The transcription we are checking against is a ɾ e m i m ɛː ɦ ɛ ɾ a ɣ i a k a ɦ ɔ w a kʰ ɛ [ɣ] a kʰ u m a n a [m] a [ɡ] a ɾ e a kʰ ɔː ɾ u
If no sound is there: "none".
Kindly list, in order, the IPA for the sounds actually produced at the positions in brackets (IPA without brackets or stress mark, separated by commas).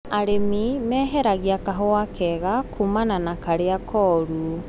ɣ, n, k